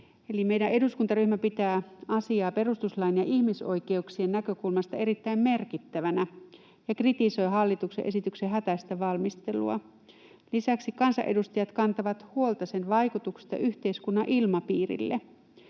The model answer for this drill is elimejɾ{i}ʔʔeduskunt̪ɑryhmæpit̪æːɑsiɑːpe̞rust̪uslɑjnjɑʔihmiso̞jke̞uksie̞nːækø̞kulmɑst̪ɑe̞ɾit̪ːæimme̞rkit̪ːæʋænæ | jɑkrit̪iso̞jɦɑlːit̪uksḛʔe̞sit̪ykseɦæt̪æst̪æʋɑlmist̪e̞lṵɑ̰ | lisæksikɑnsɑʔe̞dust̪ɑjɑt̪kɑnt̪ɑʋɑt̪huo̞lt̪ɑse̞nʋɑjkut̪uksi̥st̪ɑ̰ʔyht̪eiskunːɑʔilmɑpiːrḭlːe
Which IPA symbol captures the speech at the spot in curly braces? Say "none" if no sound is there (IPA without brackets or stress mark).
æ